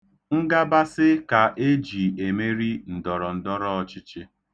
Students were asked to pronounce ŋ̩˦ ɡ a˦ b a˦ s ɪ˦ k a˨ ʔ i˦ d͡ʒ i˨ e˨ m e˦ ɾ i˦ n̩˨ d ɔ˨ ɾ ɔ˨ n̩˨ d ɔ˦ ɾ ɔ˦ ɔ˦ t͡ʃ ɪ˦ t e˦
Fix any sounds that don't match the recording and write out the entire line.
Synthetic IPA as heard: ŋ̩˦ ɡ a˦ b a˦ s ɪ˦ k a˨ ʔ e˦ d͡ʒ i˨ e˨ m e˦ ɾ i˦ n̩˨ d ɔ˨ ɾ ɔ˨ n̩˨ d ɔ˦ ɾ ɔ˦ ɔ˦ t͡ʃ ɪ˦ t͡ʃ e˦